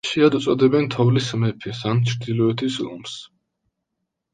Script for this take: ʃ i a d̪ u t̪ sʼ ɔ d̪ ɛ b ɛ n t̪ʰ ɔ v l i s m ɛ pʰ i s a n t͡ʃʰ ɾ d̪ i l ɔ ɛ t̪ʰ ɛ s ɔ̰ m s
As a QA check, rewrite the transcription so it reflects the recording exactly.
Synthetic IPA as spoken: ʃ i a d̪ u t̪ sʼ ɔ d̪ ɛ b ɛ n t̪ʰ ɔ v l i s m ɛ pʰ i s a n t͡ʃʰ ɾ d̪ i l ɔ ɛ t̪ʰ i s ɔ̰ m s